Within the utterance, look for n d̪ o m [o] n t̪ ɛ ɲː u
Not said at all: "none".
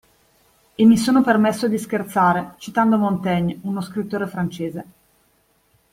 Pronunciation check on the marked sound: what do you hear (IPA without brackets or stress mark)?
o